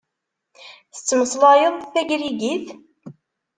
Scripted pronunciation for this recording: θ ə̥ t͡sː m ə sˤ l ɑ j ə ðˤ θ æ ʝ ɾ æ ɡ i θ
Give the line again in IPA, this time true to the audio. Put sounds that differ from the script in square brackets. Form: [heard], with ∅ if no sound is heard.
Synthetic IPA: θ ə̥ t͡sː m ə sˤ l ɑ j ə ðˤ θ æ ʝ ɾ [i] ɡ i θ